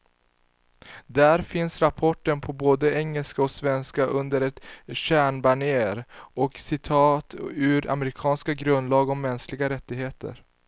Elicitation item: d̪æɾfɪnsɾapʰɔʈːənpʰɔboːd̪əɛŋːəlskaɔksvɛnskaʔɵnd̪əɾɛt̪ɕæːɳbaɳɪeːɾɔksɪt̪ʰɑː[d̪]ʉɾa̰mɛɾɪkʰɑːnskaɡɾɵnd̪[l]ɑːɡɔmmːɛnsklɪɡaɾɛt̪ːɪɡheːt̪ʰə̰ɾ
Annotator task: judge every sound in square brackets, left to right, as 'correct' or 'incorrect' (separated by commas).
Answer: incorrect, correct